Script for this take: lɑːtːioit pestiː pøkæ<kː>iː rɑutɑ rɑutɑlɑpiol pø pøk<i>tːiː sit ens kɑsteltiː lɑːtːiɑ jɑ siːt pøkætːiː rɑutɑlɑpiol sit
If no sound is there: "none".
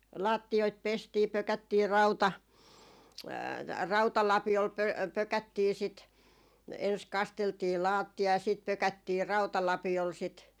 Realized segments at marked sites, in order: tː, æ

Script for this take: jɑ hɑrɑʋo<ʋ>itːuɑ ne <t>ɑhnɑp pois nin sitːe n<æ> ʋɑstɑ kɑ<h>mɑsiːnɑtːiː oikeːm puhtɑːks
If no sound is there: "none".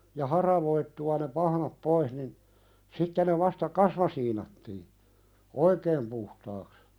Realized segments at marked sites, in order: none, p, e, s

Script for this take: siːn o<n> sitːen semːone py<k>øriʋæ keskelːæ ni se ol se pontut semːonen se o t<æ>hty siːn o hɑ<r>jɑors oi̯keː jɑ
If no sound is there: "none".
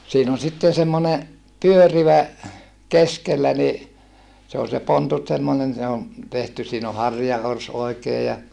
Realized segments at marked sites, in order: n, none, e, r

